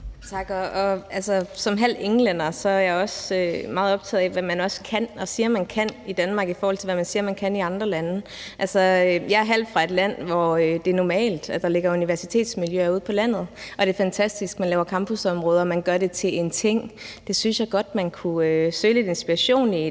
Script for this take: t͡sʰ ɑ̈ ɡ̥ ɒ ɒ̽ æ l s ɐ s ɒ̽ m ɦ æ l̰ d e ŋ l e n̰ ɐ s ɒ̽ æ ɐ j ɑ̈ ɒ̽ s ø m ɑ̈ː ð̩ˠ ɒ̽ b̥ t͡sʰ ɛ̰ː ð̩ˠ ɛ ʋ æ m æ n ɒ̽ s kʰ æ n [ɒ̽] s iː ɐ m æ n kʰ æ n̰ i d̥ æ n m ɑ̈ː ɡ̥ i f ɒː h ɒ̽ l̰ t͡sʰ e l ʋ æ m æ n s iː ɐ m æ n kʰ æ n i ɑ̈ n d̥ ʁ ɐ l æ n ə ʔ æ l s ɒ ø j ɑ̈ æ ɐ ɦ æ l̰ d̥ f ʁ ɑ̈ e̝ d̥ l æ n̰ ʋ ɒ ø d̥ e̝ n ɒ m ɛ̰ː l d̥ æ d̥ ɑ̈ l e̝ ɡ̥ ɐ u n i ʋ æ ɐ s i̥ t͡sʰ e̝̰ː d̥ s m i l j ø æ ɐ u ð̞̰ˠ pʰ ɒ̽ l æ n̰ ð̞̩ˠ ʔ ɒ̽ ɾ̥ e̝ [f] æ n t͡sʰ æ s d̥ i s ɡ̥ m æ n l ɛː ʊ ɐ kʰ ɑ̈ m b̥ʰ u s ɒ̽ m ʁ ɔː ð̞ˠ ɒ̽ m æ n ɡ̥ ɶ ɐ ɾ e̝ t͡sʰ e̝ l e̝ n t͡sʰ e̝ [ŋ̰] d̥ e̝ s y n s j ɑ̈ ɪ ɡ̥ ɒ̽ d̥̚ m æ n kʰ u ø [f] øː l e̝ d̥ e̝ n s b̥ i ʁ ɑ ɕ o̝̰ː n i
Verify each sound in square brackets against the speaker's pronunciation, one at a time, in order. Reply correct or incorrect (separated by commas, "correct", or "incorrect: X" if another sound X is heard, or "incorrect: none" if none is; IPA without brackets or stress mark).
correct, correct, correct, incorrect: s